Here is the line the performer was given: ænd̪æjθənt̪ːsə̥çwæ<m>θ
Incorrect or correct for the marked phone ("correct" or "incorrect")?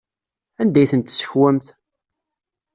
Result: correct